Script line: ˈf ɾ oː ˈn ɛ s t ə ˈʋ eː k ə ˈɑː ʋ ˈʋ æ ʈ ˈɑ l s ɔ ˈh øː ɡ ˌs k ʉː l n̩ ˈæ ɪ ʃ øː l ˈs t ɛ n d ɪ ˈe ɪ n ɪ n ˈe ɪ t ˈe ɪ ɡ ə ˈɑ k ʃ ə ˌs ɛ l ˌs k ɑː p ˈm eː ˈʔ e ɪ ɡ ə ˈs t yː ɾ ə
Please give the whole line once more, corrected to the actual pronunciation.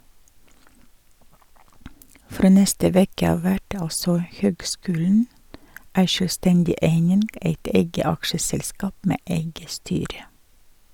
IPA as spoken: ˈf ɾ oː ˈn ɛ s t ə ˈʋ eː k ə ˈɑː ʋ ˈʋ æ ʈ ˈɑ l s ɔ ˈh øː ɡ ˌs k ʉː l n̩ ˈæ ɪ ʃ øː l ˈs t ɛ n d ɪ ˈe ɪ n ɪ n ˈe ɪ t ˈe ɪ ɡ ə ˈɑ k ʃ ə ˌs ɛ l ˌs k ɑː p ˈm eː ˈʔ e ɪ ɡ ə ˈs t yː ɾ ə

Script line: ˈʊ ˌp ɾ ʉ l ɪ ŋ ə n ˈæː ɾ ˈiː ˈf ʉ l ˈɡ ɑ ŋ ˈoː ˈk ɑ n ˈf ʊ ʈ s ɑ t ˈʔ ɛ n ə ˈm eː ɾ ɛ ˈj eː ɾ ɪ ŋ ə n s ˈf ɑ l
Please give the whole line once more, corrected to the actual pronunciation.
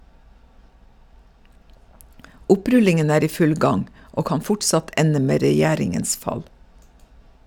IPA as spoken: ˈʊ ˌp ɾ ʉ l ɪ ŋ ə n ˈæː ɾ ˈiː ˈf ʉ l ˈɡ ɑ ŋ ˈoː ˈk ɑ n ˈf ʊ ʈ s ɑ t ˈʔ ɛ n ə ˈm eː ɾ ɛ ˈj æː ɾ ɪ ŋ ə n s ˈf ɑ l

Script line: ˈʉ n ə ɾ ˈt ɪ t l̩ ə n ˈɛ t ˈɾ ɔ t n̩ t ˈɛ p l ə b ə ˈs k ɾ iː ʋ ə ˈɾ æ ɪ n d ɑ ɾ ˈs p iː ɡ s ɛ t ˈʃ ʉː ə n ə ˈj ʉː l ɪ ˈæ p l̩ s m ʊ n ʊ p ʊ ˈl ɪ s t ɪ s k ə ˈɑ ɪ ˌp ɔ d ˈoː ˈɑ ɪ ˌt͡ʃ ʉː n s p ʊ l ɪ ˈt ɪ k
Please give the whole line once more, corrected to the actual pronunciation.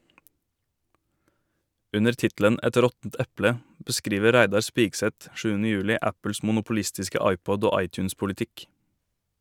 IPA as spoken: ˈʉ n ə ɾ ˈt ɪ t l̩ ə n ˈɛ t ˈɾ ɔ t n̩ t ˈɛ p l ə b ə ˈs k ɾ iː ʋ ə ˈɾ æ ɪ d ɑ ɾ ˈs p iː ɡ s ɛ t ˈʃ ʉː ə n ə ˈj ʉː l ɪ ˈæ p l̩ s m ʊ n ʊ p ʊ ˈl ɪ s t ɪ s k ə ˈɑ ɪ ˌp ɔ d ˈoː ˈɑ ɪ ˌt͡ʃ ʉː n s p ʊ l ɪ ˈt ɪ k

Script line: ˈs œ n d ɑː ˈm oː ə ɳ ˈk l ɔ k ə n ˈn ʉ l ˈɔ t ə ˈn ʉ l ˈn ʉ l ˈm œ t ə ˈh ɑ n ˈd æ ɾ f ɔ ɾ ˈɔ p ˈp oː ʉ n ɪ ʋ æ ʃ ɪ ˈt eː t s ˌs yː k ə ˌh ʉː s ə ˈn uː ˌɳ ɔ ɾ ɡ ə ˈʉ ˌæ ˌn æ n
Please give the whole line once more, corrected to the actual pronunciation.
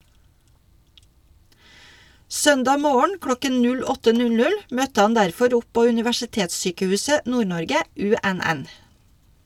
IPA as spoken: ˈs œ n d ɑː ˈm oː ə ɳ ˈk l ɔ k ə n ˈn ʉ l ˈɔ t ə ˈn ʉ l ˈn ʉ l ˈm œ t ə ˈh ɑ n ˈd æ ɾ f ɔ ɾ ˈɔ p ˈp oː ʉ n ɪ ʋ æ ʃ ɪ ˈt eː t s ˌs yː k ə ˌh ʉː s ə ˈn uː ˌɳ ɔ ɾ ɡ ə ˈʉ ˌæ ˌn æ n

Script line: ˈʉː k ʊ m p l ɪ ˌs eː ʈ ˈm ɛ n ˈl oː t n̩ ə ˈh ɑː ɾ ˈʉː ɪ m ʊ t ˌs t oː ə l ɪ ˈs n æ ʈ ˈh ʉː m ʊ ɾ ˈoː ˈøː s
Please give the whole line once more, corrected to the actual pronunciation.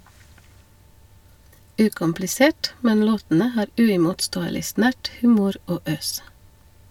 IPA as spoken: ˈʉː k ʊ m p l ɪ ˌs eː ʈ ˈm ɛ n ˈl oː t n̩ ə ˈh ɑː ɾ ˈʉː ɪ m ʊ t ˌs t oː ə l ɪ ˈs n æ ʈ ˈh ʉː m ʊ ɾ ˈoː ˈøː s

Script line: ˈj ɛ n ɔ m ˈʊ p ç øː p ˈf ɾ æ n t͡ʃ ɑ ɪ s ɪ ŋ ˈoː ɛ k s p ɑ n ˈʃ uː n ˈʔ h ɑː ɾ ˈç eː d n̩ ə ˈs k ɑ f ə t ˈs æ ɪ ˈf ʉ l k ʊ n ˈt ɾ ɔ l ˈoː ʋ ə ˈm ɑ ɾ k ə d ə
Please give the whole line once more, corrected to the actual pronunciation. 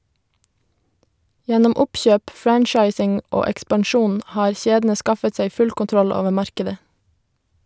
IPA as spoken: ˈj ɛ n ɔ m ˈʊ p ç øː p ˈf ɹ æ n t͡ʃ ɑ ɪ s ɪ ŋ ˈoː ɛ k s p ɑ n ˈʃ uː n ˈʔ h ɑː ɾ ˈç eː d n̩ ə ˈs k ɑ f ə t ˈs æ ɪ ˈf ʉ l k ʊ n ˈt ɾ ɔ l ˈoː ʋ ə ˈm ɑ ɾ k ə d ə

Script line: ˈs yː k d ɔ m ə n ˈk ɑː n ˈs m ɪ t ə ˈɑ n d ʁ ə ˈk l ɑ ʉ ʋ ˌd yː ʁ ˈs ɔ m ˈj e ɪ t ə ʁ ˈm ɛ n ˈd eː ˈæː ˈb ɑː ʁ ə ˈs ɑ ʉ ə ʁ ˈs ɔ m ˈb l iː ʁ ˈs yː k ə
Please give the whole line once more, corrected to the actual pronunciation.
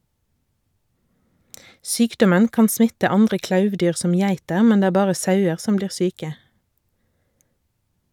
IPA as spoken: ˈs yː k d ɔ m ə n ˈk ɑː n ˈs m ɪ t ə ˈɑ n d ʁ ə ˈk l ɑ ʉ ʋ ˌd yː ʁ ˈs ɔ m ˈj æ ɪ t ə ʁ ˈm ɛ n ˈd eː ˈæː ˈb ɑː ʁ ə ˈs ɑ ʉ ə ʁ ˈs ɔ m ˈb l iː ʁ ˈs yː k ə

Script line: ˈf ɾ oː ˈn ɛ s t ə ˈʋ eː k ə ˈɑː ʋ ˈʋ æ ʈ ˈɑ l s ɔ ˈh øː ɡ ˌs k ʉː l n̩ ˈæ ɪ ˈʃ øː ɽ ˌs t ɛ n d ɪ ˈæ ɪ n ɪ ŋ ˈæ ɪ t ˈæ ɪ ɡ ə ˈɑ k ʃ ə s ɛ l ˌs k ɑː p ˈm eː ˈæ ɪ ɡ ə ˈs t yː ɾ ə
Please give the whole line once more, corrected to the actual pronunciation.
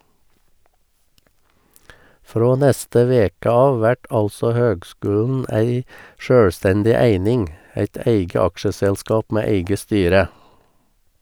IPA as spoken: ˈf ɾ oː ˈn ɛ s t ə ˈʋ eː k ə ˈɑː ʋ ˈʋ æ ʈ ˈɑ l s ɔ ˈh øː ɡ ˌs k ʉː l n̩ ˈæ ɪ ˈʃ øː ɽ ˌs t ɛ n d ɪ ˈæ ɪ n ɪ ŋ ˈæ ɪ t ˈæ ɪ ɡ ə ˈɑ k ʃ ə s ɛ l ˌs k ɑː p ˈm eː ˈæ ɪ ɡ ə ˈs t yː ɾ ə

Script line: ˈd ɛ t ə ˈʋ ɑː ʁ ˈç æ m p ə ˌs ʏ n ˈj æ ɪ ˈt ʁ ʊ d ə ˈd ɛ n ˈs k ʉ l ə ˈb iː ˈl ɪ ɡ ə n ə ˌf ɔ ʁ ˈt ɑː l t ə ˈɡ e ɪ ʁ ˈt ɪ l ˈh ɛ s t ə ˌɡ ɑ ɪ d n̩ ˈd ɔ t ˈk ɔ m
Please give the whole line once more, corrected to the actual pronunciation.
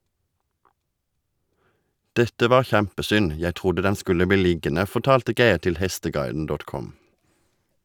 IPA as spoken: ˈd ɛ t ə ˈʋ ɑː ʁ ˈç æ m p ə ˌs ʏ n ˈj æ ɪ ˈt ʁ ʊ d ə ˈd ɛ n ˈs k ʉ l ə ˈb iː ˈl ɪ ɡ ə n ə ˌf ɔ ʁ ˈt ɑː l t ə ˈɡ e ɪ ʁ ˈt ɪ l ˈh ɛ s t ə ˌɡ ɑ ɪ d n̩ ˈd ɔ t ˈk ɔ m

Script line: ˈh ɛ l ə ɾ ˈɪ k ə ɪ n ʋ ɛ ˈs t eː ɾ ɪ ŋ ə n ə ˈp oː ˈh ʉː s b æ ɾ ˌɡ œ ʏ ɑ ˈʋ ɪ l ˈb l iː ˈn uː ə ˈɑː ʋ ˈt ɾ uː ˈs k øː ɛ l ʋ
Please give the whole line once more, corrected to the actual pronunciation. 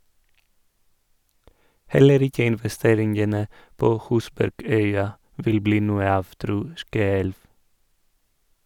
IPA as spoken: ˈh ɛ l ə ɾ ˈɪ k ə ɪ n ʋ ɛ ˈs t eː ɾ ɪ ŋ ə n ə ˈp oː ˈh ʉː s b æ ɾ ˌɡ œ ʏ ɑ ˈʋ ɪ l ˈb l iː ˈn uː ə ˈɑː ʋ ˈt ɾ uː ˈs k øː ɛ l ʋ

